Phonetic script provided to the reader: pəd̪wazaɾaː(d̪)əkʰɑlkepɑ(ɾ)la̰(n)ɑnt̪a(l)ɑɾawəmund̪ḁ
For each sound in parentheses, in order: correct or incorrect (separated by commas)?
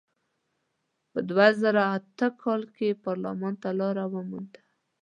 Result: incorrect, correct, incorrect, correct